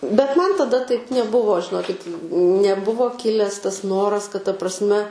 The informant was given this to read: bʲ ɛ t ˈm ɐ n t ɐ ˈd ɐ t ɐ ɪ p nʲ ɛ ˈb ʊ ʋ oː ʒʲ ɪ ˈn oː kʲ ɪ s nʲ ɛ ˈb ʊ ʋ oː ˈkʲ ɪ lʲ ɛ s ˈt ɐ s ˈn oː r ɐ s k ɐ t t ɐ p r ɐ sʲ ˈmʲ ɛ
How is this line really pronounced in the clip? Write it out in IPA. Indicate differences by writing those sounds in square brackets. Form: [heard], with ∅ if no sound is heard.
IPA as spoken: bʲ ɛ t ˈm ɐ n t ɐ ˈd ɐ t ɐ ɪ p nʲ ɛ ˈb ʊ ʋ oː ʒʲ ɪ ˈn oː kʲ ɪ [t] nʲ ɛ ˈb ʊ ʋ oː ˈkʲ ɪ lʲ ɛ s ˈt ɐ s ˈn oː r ɐ s k ɐ t t ɐ p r ɐ sʲ ˈmʲ ɛ